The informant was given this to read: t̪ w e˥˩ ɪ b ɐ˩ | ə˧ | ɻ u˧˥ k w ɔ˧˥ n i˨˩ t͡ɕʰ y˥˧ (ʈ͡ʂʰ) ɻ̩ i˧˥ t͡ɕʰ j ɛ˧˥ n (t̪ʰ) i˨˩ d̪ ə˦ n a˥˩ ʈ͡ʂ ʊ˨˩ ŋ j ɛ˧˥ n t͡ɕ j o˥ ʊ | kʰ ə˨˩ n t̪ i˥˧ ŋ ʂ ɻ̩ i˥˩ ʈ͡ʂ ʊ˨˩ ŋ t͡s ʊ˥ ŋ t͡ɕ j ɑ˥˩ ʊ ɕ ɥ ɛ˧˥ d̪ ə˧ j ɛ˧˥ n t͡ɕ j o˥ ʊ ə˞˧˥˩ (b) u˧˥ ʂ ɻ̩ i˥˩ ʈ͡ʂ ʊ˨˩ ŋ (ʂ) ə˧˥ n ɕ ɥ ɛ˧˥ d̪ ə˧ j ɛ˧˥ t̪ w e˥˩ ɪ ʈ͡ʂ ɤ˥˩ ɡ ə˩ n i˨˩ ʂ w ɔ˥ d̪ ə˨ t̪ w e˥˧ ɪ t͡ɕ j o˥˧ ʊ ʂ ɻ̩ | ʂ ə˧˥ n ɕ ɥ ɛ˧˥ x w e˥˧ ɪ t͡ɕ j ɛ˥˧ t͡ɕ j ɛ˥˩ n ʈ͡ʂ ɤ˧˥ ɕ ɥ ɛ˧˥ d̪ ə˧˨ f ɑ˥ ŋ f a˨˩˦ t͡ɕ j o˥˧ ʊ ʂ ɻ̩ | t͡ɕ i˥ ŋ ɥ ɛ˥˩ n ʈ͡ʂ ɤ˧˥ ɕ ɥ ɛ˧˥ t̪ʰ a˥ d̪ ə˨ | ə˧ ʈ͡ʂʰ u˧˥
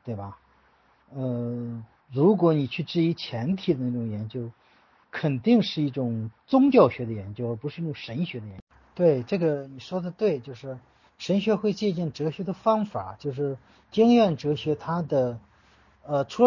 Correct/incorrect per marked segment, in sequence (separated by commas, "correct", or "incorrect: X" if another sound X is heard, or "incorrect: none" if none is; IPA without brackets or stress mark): incorrect: ʈ͡ʂ, correct, incorrect: p, correct